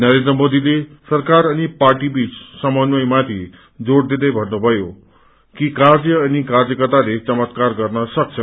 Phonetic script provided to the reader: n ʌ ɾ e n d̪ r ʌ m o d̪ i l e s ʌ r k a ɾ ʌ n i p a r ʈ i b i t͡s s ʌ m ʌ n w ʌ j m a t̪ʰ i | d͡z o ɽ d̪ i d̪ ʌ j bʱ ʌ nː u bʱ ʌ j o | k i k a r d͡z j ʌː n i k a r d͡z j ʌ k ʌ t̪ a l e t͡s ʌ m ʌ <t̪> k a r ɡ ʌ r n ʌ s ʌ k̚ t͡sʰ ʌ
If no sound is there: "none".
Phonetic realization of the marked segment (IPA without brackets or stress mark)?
t̪